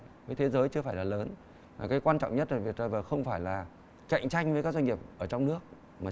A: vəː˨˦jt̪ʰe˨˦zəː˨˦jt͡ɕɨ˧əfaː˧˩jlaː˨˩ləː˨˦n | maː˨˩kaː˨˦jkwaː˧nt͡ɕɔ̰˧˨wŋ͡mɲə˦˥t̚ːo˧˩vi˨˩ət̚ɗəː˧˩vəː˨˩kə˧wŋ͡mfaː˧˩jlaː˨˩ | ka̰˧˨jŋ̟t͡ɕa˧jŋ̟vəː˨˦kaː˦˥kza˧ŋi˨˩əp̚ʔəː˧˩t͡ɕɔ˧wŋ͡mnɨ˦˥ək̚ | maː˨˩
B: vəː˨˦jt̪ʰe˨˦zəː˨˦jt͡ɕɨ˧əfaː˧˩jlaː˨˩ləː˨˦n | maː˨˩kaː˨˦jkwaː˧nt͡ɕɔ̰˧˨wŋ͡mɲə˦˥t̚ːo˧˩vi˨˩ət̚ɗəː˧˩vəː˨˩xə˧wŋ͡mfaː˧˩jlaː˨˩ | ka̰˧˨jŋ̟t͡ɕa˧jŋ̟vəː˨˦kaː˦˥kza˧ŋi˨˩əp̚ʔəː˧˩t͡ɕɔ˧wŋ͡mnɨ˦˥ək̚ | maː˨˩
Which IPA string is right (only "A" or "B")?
B